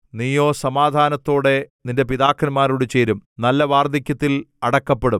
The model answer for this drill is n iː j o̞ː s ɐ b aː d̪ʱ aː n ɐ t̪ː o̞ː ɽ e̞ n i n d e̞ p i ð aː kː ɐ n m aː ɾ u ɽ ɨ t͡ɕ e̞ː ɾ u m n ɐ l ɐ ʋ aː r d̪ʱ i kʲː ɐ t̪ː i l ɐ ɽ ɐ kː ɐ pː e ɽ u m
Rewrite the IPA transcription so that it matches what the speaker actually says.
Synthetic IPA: n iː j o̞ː s ɐ m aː d̪ʱ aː n ɐ t̪ː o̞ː ɽ e̞ n i n d e̞ p i ð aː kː ɐ n m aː ɾ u ɽ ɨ t͡ɕ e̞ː ɾ u m n ɐ lː ɐ ʋ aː r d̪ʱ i kʲː ɐ t̪ː i l ɐ ɽ ɐ kː ɐ pː e ɽ u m